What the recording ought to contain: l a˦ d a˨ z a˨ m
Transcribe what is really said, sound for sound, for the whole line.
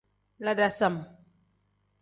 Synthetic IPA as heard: l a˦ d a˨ s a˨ m